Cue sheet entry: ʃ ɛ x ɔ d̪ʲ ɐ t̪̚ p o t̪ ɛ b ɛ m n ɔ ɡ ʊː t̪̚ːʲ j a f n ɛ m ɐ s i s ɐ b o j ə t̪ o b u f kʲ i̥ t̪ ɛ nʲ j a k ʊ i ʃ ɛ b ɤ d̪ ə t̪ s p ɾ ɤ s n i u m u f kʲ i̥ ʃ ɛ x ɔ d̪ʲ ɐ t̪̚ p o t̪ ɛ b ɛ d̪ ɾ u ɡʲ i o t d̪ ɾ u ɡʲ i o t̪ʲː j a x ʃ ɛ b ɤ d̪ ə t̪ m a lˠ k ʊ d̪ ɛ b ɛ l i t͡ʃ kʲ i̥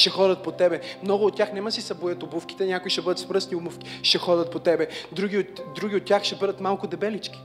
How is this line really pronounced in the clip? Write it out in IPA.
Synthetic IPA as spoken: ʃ ɛ x ɔ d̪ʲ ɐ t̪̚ p o t̪ ɛ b ɛ m n ɔ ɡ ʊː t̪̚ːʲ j a x n ɛ m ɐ s i s ɐ b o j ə t̪ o b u f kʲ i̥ t̪ ɛ nʲ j a k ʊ i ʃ ɛ b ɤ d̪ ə t̪ s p ɾ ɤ s n i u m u f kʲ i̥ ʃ ɛ x ɔ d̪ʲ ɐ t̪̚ p o t̪ ɛ b ɛ d̪ ɾ u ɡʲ i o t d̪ ɾ u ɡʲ i o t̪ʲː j a x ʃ ɛ b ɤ d̪ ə t̪ m a lˠ k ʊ d̪ ɛ b ɛ l i t͡ʃ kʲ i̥